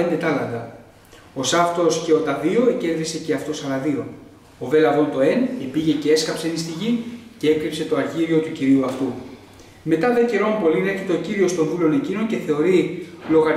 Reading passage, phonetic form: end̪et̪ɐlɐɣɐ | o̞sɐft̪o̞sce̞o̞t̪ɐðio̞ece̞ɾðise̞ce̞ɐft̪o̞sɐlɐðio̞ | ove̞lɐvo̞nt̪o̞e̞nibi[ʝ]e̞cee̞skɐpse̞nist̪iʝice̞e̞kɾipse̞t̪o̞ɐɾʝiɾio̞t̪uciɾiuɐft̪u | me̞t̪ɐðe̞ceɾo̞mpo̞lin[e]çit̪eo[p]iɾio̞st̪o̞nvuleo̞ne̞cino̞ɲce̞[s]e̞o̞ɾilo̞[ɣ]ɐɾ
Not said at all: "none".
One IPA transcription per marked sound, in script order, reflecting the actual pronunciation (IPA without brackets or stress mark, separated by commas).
ʝ, e, c, θ, ɣ